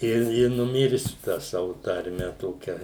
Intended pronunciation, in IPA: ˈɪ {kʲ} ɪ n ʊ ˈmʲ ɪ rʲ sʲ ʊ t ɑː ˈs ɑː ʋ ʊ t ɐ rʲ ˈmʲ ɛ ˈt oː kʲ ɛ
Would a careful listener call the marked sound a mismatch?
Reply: yes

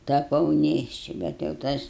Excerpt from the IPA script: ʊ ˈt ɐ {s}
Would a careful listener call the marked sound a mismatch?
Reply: no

